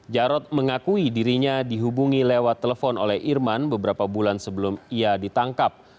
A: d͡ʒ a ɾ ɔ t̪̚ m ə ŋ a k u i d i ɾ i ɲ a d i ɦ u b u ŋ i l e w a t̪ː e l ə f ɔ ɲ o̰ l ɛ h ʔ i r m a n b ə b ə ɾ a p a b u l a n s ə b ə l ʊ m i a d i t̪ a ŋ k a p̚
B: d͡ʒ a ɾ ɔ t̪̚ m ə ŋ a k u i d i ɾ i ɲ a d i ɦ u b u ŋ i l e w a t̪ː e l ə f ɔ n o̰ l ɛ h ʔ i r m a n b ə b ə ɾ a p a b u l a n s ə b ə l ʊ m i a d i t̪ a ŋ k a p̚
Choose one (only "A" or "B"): B